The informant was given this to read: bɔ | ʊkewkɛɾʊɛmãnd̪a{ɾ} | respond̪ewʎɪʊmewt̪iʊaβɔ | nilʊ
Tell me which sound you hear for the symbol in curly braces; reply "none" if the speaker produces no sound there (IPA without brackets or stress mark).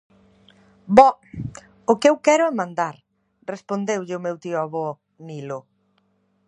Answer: ɾ